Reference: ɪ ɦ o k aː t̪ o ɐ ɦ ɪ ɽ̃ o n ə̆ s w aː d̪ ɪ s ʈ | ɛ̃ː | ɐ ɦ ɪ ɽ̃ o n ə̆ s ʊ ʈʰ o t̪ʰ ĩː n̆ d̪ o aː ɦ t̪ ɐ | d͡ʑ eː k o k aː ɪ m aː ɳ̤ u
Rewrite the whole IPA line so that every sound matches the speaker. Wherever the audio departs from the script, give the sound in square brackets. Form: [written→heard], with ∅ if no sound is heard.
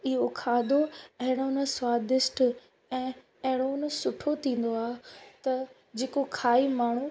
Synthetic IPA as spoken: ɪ ɦ o [k→kʰ] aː [t̪→d̪] o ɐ ɦ ɪ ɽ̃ o n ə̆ s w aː d̪ ɪ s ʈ | ɛ̃ː | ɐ ɦ ɪ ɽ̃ o n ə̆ s ʊ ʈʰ o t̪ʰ ĩː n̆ d̪ o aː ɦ t̪ ɐ | d͡ʑ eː k o [k→kʰ] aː [ɪ→i] m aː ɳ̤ u